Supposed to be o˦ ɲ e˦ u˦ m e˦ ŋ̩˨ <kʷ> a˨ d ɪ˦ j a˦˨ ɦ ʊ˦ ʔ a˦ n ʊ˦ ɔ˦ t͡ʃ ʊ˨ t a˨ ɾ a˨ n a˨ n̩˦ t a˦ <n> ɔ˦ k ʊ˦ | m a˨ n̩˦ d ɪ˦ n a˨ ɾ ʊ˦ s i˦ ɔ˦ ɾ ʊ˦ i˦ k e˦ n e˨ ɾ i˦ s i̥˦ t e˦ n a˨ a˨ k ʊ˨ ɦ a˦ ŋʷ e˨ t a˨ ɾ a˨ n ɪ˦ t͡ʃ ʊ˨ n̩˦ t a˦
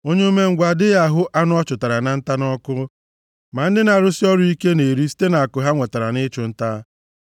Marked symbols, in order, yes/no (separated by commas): no, yes